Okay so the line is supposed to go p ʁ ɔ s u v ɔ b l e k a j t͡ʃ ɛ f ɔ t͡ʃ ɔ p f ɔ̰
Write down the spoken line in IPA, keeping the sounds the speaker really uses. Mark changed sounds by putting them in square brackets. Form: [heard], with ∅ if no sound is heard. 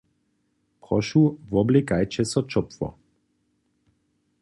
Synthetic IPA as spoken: p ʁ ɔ [ʃ] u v ɔ b l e k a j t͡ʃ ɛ [s] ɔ t͡ʃ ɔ p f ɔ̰